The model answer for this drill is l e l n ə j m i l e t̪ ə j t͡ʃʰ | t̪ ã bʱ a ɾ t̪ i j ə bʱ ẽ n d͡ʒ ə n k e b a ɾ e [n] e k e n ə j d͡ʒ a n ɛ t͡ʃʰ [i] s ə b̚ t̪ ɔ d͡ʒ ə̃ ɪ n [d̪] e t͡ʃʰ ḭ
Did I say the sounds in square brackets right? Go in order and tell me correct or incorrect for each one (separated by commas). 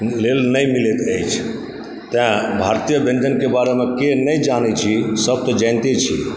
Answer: incorrect, correct, incorrect